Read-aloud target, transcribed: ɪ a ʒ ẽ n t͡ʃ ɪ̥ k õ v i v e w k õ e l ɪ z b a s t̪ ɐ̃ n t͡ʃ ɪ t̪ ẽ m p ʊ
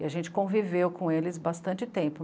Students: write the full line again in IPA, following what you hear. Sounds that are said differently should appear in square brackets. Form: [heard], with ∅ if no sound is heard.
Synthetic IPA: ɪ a ʒ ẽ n t͡ʃ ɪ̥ k õ v i v e w k õ e l ɪ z b a s t̪ ɐ̃ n t͡ʃ ɪ t̪ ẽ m p ʊ